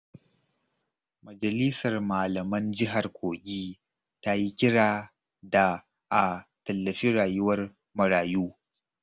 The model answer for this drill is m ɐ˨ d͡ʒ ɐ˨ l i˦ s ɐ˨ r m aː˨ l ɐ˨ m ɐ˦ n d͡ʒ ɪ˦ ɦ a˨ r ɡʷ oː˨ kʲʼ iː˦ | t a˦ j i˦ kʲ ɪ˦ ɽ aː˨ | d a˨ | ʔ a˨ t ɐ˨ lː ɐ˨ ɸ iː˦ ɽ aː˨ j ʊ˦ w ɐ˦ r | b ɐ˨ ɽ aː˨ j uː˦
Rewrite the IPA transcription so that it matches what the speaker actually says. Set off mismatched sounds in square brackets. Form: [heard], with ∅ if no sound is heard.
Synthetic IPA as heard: m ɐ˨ d͡ʒ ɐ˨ l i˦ s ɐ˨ r m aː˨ l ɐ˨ m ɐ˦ n d͡ʒ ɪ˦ ɦ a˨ r [kʷ] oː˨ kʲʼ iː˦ | t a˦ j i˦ kʲ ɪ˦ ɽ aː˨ | d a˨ | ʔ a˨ t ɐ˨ lː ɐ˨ ɸ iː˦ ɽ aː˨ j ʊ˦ w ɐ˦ r | [m] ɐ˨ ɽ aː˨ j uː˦

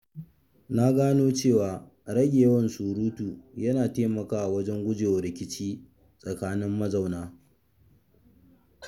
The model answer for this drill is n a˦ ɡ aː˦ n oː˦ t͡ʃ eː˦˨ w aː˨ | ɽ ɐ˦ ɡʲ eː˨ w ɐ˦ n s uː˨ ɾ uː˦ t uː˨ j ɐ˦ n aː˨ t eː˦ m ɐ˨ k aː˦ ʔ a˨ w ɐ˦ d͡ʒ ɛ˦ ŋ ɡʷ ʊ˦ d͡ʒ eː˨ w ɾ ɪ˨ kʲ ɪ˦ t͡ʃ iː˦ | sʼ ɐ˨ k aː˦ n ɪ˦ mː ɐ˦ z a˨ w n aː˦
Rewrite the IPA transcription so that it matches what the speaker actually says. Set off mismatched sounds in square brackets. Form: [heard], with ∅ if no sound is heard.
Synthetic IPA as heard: n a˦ ɡ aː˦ n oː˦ t͡ʃ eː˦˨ w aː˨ | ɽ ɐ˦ ɡʲ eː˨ w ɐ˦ n s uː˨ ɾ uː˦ t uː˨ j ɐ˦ n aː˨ t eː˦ m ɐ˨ k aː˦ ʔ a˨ w ɐ˦ d͡ʒ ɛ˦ ŋ ɡʷ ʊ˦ d͡ʒ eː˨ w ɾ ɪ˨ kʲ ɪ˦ t͡ʃ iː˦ | sʼ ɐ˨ k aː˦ n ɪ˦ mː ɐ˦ z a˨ w n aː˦

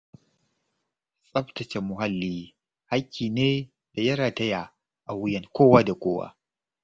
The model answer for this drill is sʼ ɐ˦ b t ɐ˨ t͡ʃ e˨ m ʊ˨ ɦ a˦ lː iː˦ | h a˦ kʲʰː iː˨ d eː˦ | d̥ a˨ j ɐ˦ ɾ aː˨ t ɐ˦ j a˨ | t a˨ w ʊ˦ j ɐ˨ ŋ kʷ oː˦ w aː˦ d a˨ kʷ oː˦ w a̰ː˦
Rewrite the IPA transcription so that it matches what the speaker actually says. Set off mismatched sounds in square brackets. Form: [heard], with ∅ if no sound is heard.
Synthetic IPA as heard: sʼ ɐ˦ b t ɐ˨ t͡ʃ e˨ m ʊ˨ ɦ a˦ lː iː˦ | h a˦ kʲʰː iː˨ [n] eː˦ | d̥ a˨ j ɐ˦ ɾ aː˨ t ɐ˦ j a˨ | [ʔ] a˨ w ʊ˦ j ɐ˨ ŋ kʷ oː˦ w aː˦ d a˨ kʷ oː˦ w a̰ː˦

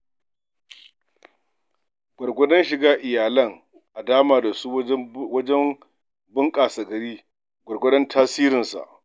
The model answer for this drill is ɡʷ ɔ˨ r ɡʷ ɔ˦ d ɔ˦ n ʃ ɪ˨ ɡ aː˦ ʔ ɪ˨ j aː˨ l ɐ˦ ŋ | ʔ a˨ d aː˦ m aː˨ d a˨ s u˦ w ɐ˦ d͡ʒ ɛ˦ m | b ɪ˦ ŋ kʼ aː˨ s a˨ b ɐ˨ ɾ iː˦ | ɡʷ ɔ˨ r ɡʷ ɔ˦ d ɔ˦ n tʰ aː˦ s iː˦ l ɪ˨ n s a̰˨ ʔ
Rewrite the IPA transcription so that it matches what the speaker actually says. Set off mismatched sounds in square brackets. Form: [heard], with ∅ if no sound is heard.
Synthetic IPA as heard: ɡʷ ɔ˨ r ɡʷ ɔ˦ d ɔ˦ n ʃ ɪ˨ ɡ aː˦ ʔ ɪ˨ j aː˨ l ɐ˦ ŋ | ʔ a˨ d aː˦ m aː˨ d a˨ s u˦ w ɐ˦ d͡ʒ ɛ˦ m | b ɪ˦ ŋ kʼ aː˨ s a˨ [ɡ] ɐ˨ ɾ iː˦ | ɡʷ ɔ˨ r ɡʷ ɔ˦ d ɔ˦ n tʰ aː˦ s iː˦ [ɾ] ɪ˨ n s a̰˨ ʔ

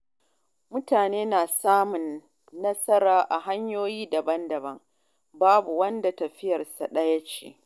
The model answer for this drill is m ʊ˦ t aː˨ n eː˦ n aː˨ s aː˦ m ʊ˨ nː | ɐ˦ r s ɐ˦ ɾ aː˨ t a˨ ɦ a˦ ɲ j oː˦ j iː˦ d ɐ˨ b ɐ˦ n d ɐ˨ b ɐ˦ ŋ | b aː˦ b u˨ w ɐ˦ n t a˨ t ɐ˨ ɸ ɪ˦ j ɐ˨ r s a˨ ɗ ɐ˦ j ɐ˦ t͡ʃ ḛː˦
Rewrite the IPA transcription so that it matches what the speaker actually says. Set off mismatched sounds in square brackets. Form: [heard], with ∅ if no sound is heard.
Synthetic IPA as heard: m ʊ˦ t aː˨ n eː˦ n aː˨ s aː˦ m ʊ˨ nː | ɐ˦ [∅] s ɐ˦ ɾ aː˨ [ʔ] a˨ ɦ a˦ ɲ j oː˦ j iː˦ d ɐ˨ b ɐ˦ n d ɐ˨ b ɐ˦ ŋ | b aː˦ b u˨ w ɐ˦ n [d] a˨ t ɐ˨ ɸ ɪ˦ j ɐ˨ r s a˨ ɗ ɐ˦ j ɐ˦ t͡ʃ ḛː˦

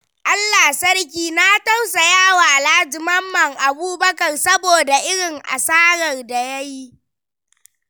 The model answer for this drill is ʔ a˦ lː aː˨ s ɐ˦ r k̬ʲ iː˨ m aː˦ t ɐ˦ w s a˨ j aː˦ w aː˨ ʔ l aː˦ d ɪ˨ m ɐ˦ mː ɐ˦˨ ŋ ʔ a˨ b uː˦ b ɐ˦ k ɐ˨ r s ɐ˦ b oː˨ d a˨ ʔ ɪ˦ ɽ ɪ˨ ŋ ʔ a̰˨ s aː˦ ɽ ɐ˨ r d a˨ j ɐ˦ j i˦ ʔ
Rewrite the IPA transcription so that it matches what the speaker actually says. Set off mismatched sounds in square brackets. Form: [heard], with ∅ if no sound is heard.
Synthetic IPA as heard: ʔ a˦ lː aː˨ s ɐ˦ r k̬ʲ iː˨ [n] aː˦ t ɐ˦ w s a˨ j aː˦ w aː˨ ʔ l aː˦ [d͡ʒ] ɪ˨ m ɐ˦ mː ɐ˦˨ ŋ ʔ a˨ b uː˦ b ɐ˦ k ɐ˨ r s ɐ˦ b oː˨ d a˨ ʔ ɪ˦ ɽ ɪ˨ ŋ ʔ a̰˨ s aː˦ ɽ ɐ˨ r d a˨ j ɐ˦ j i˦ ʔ

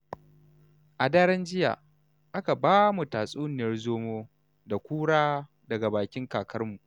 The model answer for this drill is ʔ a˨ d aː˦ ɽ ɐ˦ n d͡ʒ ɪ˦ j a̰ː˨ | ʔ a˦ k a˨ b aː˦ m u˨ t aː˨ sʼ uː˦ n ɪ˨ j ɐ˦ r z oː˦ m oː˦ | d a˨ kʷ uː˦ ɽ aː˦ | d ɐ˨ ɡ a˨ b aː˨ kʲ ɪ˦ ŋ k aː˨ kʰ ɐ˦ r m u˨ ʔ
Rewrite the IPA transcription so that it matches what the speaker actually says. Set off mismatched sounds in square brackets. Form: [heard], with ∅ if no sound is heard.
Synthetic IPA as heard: ʔ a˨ d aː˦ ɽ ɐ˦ n d͡ʒ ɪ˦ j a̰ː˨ | ʔ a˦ k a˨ b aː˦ m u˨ t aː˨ sʼ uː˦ n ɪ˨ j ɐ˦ r z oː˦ m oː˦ | d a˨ kʷ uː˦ ɽ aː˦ | d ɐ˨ ɡ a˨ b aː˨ kʲ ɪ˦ ŋ k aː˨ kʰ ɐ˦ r m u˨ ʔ

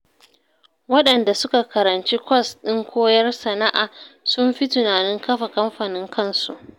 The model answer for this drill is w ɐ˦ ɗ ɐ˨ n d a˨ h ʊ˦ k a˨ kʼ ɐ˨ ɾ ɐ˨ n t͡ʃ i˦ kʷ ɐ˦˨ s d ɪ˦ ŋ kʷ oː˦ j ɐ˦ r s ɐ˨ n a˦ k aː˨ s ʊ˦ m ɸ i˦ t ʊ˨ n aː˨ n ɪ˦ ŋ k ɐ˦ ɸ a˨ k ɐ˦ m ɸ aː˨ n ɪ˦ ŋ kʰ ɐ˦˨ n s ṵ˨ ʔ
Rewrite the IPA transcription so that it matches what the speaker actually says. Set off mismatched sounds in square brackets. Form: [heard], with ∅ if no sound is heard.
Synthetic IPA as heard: w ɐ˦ ɗ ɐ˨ n d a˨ [s] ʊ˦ k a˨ [k] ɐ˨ ɾ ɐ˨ n t͡ʃ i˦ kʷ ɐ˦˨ s [ɗ] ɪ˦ ŋ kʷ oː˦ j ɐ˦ r s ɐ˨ n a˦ [ʔ] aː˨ s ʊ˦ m ɸ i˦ t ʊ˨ n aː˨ n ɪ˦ ŋ k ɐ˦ ɸ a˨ k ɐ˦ m ɸ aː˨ n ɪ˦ ŋ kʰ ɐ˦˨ n s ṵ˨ ʔ

